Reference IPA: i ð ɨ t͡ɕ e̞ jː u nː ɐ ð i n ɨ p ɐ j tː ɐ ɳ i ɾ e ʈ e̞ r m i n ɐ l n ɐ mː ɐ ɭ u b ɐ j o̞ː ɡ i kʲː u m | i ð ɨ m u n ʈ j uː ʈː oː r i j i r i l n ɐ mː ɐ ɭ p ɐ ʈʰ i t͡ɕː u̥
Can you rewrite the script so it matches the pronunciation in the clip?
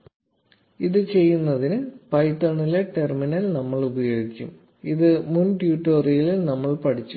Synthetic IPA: i ð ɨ t͡ɕ e̞ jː u nː ɐ ð i n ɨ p ɐ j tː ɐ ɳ i l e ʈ e̞ r m i n ɐ l n ɐ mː ɐ ɭ u b ɐ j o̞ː ɡ i kʲː u m | i ð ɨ m u n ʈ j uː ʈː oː r i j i l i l n ɐ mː ɐ ɭ p ɐ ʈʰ i t͡ɕː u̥